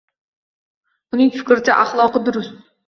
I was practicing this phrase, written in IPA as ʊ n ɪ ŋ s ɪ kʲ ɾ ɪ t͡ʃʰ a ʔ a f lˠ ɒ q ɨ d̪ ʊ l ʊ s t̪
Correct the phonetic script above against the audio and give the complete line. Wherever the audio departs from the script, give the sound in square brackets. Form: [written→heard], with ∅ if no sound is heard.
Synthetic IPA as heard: ʊ n ɪ ŋ [s→f] ɪ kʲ ɾ ɪ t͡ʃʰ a ʔ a [f→χ] lˠ ɒ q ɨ d̪ ʊ [l→ɾ] ʊ s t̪